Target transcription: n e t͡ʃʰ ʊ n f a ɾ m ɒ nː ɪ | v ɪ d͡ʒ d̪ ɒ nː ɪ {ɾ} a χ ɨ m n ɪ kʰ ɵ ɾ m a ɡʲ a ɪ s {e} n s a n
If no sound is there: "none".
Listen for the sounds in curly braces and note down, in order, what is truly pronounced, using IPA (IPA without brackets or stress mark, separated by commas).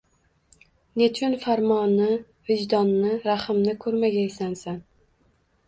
ɾ, a